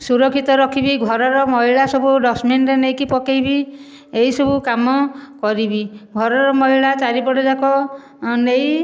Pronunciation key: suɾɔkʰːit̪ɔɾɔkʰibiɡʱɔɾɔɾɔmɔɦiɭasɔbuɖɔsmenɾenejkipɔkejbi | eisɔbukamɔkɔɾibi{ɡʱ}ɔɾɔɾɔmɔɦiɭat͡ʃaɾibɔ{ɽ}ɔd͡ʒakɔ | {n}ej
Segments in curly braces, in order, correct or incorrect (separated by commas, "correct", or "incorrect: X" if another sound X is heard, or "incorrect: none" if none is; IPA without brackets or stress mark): correct, correct, correct